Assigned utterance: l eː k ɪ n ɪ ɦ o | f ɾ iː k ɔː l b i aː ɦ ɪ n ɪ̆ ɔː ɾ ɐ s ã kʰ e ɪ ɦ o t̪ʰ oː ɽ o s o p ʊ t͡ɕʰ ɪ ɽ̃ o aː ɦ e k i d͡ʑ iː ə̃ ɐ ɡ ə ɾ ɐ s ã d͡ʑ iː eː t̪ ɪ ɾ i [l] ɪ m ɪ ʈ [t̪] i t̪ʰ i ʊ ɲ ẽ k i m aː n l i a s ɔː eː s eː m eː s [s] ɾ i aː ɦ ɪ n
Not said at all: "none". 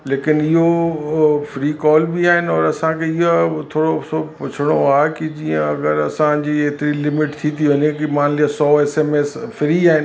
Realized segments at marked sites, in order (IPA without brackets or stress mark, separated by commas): l, t̪ʰ, f